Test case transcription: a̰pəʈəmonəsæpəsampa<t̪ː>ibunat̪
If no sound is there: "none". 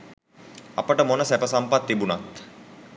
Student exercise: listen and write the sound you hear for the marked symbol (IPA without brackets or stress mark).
t̪ː